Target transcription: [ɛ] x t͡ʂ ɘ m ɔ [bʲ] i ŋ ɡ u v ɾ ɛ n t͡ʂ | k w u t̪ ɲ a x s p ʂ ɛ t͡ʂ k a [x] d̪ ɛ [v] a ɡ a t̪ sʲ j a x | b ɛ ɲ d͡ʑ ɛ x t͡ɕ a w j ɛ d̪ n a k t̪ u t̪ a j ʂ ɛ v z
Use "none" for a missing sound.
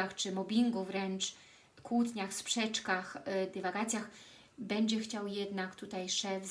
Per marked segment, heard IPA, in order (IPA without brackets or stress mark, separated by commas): a, bʲ, x, v